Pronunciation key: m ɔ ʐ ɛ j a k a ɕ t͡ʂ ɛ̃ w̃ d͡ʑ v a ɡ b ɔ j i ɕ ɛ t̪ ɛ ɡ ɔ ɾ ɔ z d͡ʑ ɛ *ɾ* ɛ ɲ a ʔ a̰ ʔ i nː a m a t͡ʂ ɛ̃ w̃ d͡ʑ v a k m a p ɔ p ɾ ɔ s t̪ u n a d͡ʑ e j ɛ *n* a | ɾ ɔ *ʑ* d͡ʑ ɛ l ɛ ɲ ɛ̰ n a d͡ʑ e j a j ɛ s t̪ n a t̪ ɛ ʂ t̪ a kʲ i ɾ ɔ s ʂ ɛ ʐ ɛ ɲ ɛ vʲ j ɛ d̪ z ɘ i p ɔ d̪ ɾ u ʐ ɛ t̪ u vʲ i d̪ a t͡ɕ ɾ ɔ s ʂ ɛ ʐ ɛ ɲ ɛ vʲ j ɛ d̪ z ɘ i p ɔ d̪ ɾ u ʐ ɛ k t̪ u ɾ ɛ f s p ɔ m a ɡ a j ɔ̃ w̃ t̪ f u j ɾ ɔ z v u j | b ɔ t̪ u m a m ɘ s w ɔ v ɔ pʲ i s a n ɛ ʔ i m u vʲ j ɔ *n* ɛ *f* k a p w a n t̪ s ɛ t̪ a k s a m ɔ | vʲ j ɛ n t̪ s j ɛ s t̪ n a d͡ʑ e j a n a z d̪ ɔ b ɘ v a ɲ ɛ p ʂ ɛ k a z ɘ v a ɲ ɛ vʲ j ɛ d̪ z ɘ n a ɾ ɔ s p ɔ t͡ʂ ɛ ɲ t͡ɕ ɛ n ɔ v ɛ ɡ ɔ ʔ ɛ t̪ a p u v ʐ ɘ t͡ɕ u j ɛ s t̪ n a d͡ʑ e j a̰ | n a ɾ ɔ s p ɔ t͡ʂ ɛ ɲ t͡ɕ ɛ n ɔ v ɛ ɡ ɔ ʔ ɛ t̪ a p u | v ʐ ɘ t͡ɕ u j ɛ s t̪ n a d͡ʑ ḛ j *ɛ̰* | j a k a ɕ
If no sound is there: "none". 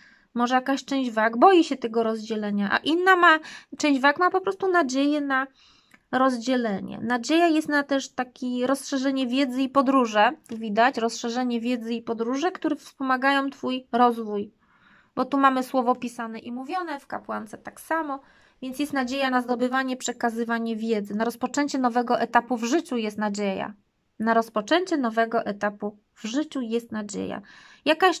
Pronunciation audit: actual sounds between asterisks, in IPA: l, n, z, n, f, a̰

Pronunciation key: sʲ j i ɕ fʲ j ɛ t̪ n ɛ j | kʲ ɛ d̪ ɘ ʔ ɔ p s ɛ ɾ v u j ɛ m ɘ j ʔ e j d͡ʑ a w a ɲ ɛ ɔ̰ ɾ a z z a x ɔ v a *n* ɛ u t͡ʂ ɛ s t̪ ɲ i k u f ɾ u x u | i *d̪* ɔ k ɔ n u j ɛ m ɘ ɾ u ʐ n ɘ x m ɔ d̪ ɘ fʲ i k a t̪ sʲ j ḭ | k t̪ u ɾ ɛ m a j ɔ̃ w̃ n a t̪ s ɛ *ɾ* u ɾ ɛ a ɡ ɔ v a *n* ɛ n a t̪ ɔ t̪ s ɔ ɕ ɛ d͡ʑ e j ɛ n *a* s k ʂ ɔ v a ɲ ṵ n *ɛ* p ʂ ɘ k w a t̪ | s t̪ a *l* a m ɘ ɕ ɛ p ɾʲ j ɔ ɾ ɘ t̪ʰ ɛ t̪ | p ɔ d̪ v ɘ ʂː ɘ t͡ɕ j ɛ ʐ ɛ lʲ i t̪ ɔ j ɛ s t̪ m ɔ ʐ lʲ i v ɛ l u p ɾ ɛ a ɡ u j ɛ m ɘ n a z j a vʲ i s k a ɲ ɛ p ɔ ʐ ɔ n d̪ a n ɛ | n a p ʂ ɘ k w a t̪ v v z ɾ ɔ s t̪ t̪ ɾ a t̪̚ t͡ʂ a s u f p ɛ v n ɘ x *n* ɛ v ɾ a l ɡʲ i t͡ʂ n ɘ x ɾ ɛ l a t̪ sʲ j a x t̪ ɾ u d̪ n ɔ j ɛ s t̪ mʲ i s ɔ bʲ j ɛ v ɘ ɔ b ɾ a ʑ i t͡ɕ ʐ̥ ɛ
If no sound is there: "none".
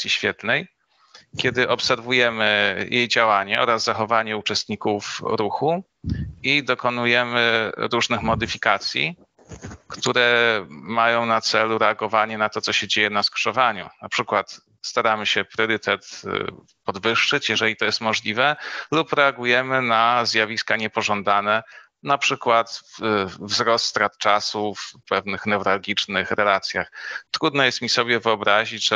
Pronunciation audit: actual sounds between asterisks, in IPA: ɲ, d̪, l, ɲ, a, a, ɾ, n

